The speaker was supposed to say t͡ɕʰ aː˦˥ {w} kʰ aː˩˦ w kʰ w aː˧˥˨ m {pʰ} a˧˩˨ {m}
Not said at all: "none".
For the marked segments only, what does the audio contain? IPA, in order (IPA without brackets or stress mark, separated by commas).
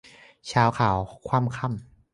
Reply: w, kʰ, m